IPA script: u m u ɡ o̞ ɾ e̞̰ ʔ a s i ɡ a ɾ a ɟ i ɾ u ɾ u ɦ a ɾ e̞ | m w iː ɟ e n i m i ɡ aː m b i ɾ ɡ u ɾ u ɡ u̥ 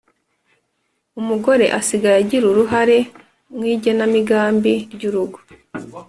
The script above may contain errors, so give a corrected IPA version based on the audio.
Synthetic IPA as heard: u m u ɡ o̞ ɾ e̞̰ ʔ a s i ɡ a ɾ a ɟ i ɾ u ɾ u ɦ a ɾ e̞ | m w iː ɟ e n a m i ɡ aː m b i ɾ ɟ u ɾ u ɡ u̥